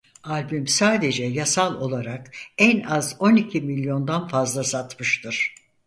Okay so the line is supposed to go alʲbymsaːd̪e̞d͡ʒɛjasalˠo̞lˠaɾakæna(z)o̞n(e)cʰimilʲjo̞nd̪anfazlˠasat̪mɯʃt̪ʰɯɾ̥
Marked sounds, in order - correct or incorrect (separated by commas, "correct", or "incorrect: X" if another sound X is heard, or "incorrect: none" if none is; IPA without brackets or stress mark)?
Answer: correct, incorrect: i